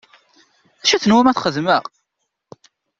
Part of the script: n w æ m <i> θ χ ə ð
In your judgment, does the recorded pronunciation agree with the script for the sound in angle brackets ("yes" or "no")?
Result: no